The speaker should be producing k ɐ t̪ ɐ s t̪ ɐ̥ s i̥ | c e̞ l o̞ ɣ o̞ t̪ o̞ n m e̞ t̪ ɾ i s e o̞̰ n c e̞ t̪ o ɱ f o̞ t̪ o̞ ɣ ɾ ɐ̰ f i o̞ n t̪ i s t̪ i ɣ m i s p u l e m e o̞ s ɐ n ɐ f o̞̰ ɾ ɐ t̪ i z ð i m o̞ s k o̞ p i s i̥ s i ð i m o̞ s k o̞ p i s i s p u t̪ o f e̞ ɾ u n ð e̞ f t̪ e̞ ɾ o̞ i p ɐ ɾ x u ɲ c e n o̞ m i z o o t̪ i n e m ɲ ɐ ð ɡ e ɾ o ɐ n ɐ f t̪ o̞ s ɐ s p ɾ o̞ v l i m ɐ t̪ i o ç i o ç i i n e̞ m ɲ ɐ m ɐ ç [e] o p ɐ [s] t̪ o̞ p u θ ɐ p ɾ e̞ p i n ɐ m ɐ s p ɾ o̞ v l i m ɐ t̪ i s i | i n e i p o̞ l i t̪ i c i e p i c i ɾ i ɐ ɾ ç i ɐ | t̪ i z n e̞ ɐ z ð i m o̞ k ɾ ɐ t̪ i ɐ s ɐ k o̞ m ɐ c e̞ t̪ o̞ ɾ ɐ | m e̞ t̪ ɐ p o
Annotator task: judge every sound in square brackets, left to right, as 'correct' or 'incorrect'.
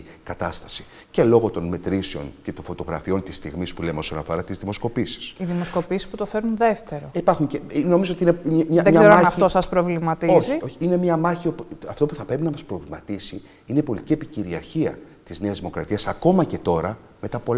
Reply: incorrect: i, incorrect: f

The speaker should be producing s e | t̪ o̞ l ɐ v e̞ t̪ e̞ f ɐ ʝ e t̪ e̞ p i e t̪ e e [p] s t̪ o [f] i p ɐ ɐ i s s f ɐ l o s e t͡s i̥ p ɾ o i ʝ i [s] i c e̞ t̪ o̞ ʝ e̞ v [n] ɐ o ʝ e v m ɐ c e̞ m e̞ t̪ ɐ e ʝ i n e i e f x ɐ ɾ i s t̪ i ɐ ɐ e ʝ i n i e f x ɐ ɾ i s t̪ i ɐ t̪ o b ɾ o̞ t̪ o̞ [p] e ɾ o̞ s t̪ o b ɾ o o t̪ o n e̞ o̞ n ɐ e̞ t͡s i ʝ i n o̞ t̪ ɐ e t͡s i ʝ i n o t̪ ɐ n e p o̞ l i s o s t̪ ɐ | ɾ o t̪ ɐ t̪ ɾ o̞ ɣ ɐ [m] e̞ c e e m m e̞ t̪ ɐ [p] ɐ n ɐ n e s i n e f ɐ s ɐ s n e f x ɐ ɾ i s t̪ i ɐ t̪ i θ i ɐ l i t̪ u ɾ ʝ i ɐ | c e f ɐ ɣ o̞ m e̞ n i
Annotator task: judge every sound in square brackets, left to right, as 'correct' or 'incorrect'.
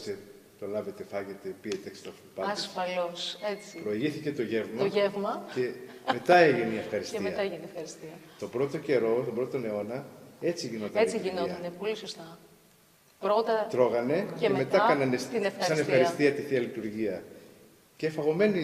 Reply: incorrect: k, correct, incorrect: θ, incorrect: m, incorrect: c, incorrect: n, incorrect: k

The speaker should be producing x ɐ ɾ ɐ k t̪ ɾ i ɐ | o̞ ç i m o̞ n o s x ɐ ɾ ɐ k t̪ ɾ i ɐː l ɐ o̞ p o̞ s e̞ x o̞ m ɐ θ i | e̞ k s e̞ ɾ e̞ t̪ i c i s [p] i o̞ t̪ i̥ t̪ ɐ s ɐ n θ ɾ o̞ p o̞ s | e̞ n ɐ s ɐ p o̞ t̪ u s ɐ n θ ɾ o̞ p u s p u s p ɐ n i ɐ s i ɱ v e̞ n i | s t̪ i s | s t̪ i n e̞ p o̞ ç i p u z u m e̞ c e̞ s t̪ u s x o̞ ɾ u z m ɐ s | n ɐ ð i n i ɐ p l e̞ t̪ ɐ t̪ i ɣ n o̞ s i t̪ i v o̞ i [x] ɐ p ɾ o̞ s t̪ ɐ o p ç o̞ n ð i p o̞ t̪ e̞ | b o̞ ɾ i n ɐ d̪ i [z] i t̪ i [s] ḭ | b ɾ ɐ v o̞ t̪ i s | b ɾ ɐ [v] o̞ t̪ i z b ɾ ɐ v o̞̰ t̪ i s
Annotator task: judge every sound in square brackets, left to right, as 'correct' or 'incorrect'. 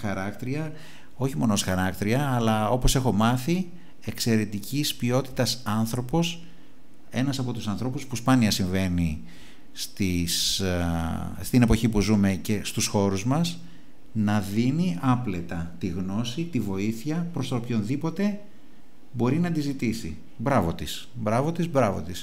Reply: correct, incorrect: θ, correct, correct, correct

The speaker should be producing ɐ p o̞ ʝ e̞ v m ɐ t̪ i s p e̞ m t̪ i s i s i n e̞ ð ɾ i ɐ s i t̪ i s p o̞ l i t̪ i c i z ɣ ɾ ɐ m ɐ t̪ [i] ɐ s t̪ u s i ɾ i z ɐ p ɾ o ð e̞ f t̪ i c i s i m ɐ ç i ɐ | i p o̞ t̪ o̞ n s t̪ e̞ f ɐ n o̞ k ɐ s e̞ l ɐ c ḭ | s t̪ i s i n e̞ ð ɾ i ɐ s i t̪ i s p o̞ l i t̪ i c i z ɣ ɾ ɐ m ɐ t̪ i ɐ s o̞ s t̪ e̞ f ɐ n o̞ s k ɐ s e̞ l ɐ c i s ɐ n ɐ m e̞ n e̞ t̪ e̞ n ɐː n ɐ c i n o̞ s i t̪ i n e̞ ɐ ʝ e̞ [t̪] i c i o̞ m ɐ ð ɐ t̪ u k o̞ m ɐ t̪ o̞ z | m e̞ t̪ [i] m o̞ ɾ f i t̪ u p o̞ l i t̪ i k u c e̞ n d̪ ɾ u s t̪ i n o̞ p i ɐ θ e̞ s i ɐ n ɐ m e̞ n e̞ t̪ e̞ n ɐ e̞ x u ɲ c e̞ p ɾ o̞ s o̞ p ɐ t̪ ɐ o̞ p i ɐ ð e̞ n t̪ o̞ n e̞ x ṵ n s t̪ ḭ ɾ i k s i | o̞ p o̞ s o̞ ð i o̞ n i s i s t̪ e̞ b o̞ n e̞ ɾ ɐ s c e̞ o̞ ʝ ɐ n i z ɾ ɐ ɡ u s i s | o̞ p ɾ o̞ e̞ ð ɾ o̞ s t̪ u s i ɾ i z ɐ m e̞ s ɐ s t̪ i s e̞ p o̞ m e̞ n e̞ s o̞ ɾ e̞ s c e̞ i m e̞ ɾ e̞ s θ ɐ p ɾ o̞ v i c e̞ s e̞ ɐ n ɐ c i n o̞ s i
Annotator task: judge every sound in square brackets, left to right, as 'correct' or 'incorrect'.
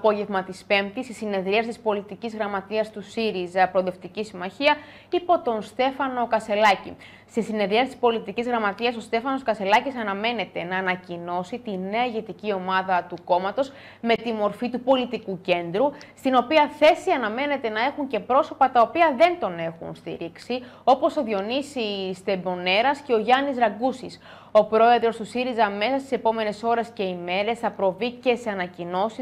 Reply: correct, correct, correct

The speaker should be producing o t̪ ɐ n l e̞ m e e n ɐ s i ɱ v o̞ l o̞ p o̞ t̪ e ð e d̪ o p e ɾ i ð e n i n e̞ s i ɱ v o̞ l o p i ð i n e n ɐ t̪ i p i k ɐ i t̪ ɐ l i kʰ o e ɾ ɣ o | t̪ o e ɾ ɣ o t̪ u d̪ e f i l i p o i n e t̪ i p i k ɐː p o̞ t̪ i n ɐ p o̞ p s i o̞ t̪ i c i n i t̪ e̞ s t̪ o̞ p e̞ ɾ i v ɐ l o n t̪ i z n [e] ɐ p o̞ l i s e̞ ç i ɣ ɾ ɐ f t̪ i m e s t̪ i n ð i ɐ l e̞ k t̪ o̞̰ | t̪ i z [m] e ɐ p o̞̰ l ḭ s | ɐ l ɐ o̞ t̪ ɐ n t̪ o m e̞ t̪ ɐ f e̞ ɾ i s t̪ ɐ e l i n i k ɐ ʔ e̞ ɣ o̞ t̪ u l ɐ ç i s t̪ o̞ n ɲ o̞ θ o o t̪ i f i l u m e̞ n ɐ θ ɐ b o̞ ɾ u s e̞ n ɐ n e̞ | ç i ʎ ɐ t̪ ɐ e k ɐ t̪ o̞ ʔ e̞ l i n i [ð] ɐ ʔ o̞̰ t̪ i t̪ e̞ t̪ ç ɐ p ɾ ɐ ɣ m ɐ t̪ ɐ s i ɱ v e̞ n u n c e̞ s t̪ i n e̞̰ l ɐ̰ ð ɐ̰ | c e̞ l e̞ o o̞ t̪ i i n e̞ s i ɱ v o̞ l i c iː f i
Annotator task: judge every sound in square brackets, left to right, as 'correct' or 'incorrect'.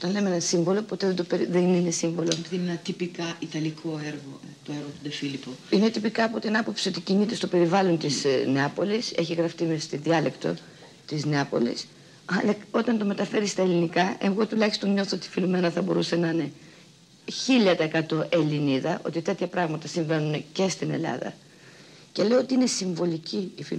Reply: correct, incorrect: n, correct

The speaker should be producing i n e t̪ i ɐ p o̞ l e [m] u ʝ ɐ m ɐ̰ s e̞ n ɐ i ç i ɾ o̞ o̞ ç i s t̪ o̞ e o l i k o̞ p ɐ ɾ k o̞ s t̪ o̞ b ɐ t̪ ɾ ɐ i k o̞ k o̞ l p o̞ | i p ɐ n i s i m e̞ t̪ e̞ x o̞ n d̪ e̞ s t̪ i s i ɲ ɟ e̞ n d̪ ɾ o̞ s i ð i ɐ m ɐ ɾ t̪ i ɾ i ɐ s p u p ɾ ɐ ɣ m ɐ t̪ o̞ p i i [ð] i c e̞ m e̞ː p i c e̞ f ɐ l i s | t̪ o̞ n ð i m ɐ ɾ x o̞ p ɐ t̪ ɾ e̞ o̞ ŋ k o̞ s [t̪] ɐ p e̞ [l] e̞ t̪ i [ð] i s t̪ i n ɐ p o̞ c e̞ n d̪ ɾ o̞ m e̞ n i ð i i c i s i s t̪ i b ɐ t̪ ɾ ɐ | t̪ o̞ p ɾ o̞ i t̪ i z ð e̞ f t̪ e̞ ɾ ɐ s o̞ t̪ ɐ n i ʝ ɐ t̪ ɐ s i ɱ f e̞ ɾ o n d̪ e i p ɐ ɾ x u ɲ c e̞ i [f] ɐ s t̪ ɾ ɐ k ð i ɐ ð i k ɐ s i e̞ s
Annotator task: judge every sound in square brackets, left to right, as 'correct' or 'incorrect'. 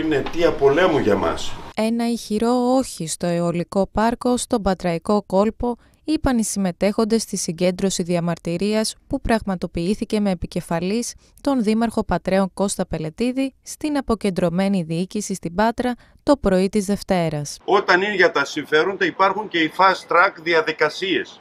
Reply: correct, incorrect: θ, correct, correct, correct, correct

